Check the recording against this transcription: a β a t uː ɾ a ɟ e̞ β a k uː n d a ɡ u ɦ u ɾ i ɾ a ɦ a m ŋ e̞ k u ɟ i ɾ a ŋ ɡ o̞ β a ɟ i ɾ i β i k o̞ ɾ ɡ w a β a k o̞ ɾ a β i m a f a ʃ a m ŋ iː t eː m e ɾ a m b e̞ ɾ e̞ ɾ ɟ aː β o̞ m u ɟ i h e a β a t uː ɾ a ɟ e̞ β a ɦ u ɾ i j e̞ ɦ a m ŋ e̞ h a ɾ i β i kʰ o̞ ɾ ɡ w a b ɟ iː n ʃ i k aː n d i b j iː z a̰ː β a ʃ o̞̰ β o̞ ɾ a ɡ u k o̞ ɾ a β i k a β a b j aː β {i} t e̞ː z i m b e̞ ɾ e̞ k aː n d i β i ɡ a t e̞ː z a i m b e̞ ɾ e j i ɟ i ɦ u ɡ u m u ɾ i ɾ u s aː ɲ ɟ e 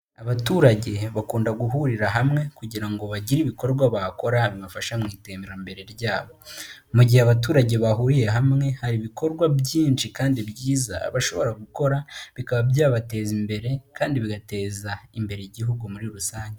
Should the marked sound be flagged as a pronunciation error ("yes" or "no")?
yes